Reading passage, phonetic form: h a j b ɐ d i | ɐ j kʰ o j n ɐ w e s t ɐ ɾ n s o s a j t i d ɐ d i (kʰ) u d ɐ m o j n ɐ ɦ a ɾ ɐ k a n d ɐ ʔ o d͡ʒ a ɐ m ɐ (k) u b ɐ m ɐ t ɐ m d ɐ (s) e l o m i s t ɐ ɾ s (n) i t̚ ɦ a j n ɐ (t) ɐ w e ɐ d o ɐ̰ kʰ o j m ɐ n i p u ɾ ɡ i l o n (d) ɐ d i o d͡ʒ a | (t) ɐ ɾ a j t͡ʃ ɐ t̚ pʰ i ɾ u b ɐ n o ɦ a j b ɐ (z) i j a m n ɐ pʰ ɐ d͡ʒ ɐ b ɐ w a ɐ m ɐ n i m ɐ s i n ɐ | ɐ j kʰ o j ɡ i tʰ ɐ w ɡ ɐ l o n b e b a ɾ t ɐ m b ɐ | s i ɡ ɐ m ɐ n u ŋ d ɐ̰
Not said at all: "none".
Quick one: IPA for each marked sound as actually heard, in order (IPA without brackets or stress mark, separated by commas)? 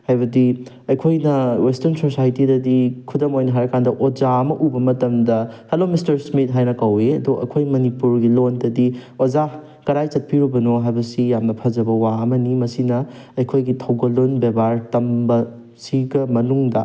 kʰ, ʔ, h, m, k, d, k, s